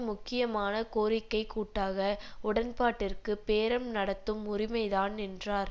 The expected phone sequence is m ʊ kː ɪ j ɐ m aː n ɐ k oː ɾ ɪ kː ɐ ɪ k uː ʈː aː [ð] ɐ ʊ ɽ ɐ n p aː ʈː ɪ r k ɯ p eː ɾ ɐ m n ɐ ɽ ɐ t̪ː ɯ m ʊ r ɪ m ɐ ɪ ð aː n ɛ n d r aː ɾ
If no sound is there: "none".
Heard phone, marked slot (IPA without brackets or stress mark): ɣ